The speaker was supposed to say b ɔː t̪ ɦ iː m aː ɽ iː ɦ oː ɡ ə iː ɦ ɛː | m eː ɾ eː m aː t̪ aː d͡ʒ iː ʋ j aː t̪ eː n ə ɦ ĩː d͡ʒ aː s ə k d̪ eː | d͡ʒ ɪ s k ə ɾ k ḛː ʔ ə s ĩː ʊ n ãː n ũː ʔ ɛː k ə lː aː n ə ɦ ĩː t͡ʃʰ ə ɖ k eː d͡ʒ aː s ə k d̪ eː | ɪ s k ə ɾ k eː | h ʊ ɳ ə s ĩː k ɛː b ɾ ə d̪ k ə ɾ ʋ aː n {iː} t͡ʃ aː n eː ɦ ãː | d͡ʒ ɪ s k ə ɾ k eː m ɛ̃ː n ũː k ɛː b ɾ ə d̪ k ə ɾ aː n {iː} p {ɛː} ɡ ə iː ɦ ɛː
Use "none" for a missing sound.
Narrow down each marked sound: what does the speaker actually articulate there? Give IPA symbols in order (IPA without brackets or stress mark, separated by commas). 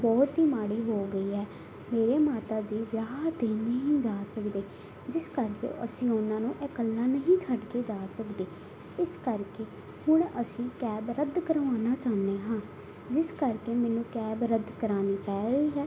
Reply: aː, iː, ɛː